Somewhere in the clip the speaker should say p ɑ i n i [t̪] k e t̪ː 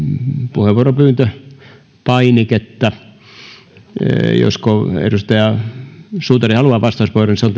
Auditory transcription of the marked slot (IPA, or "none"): none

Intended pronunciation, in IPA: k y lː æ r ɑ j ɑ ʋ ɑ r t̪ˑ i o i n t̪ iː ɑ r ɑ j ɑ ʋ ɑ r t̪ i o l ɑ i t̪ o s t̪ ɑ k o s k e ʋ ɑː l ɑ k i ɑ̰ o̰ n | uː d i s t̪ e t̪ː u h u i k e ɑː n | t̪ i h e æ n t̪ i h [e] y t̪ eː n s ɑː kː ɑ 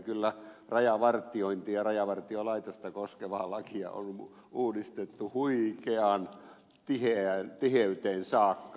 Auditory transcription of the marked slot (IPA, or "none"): e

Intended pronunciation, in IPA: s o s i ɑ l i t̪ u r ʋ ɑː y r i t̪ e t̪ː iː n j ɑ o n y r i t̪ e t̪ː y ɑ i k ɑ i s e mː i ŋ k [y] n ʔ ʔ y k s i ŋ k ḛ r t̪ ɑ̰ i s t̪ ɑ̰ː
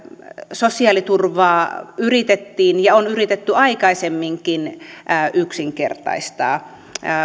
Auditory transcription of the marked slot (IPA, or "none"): i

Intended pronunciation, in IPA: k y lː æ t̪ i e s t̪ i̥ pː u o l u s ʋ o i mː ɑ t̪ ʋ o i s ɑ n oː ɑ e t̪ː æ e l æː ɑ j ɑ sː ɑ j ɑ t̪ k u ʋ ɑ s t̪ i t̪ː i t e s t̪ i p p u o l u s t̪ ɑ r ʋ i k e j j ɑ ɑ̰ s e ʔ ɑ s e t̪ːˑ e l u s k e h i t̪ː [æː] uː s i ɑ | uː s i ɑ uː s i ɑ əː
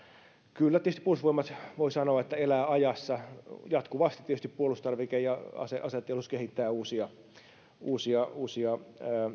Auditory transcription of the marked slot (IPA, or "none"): æː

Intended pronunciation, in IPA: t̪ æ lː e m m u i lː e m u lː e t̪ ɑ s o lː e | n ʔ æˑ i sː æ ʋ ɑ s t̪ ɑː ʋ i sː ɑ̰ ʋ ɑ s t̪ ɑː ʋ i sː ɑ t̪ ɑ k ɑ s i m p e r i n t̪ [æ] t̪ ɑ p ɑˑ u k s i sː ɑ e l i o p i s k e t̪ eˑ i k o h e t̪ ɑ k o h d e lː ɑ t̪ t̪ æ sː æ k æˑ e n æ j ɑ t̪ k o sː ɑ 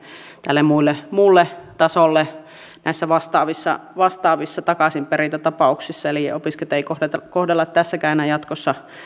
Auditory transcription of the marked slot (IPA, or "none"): æ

